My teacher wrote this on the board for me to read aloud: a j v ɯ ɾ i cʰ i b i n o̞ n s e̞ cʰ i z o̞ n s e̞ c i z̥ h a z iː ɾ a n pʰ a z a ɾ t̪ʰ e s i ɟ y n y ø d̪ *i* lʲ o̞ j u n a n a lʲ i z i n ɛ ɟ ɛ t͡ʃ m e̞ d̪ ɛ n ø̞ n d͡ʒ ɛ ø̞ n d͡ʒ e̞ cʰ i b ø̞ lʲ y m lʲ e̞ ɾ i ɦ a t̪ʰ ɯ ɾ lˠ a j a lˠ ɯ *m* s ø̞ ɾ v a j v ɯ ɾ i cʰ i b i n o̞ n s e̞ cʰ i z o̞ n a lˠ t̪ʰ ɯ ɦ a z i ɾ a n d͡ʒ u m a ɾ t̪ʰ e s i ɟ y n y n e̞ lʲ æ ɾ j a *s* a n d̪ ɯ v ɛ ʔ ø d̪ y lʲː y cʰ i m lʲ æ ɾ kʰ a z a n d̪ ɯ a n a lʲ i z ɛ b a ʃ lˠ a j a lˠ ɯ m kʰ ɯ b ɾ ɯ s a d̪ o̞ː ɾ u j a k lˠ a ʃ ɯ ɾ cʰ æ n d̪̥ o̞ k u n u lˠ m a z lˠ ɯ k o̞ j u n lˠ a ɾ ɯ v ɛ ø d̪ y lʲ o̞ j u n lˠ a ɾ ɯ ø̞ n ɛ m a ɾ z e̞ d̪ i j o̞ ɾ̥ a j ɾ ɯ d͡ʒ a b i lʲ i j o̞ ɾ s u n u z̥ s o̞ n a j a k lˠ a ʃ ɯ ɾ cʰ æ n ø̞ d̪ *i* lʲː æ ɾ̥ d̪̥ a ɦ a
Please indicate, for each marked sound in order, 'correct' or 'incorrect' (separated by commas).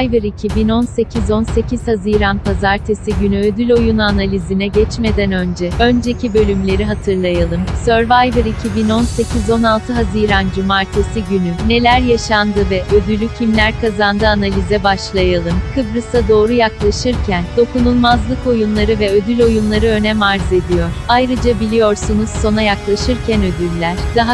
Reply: incorrect, correct, incorrect, incorrect